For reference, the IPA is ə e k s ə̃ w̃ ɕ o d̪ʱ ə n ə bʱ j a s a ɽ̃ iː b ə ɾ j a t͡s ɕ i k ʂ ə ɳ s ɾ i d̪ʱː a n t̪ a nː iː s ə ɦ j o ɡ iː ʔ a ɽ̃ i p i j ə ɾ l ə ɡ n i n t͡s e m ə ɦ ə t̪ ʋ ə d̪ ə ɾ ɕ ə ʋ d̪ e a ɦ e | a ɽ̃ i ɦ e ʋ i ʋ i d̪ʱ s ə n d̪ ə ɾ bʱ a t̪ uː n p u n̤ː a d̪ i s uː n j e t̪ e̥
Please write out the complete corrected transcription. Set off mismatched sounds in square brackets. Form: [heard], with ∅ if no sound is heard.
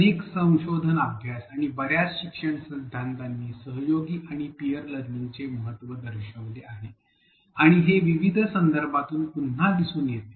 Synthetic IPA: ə e k s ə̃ w̃ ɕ o d̪ʱ ə n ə bʱ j a s a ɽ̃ [i] b ə ɾ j a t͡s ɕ i k ʂ ə ɳ s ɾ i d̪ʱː a n t̪ a nː iː s ə ɦ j o ɡ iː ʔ a ɽ̃ i p i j ə ɾ l ə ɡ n i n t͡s e m ə ɦ ə t̪ ʋ ə d̪ ə ɾ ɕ ə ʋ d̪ e a ɦ e | a ɽ̃ i ɦ e ʋ i ʋ i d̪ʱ s ə n d̪ ə ɾ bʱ a t̪ uː n p u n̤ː a d̪ i s uː n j e t̪ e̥